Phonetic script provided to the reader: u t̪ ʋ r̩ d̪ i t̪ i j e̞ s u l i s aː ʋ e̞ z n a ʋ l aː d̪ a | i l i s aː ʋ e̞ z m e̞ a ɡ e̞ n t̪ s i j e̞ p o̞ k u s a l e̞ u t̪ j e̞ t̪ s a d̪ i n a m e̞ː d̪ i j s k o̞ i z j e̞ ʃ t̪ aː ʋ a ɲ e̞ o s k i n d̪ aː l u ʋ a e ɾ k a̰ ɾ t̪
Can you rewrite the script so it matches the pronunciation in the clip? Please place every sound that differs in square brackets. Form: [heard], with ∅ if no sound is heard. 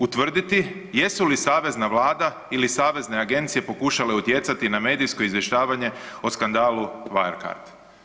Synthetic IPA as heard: u t̪ ʋ r̩ d̪ i t̪ i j e̞ s u l i s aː ʋ e̞ z n a ʋ l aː d̪ a | i l i s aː ʋ e̞ z [n] e̞ a ɡ e̞ n t̪ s i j e̞ p o̞ k u [ʃ] a l e̞ u t̪ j e̞ t̪ s a [t̪] i n a m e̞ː d̪ i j s k o̞ i z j e̞ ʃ t̪ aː ʋ a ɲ e̞ o s k [a] n d̪ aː l u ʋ a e ɾ k a̰ ɾ t̪